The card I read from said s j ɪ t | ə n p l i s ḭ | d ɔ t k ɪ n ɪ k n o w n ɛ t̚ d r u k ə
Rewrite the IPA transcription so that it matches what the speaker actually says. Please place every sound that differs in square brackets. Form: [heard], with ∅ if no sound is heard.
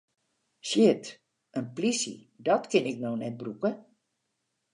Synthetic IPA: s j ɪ t | ə n p l i s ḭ | d ɔ t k ɪ n ɪ k n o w n ɛ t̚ [b] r u k ə